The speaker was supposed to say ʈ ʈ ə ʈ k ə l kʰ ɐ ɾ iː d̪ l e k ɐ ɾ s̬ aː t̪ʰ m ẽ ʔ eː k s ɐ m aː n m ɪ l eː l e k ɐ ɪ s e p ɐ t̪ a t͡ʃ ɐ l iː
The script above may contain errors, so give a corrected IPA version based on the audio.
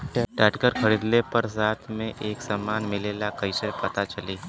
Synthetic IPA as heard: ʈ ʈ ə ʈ k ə ɾ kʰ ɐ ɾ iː d̪ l e p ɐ ɾ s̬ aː t̪ʰ m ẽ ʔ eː k s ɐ m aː n m ɪ l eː l a k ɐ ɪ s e p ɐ t̪ a t͡ʃ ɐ l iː